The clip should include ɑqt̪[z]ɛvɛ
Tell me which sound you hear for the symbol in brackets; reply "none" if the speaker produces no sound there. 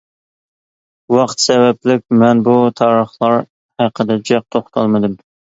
s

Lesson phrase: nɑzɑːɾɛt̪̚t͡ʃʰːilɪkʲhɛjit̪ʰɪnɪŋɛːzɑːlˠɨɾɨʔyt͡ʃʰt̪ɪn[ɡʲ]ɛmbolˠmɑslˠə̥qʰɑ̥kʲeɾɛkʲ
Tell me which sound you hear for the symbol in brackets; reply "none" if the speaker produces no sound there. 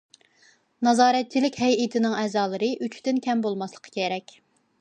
kʲ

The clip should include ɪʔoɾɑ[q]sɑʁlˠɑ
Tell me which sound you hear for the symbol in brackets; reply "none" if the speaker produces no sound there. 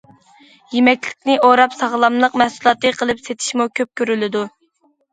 p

